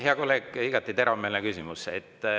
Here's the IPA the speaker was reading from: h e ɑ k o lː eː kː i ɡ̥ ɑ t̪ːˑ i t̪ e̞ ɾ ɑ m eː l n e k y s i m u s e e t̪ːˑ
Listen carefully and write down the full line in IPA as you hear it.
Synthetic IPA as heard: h e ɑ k o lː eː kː i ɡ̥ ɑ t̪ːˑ i t̪ e̞ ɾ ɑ m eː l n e k y s i m u s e e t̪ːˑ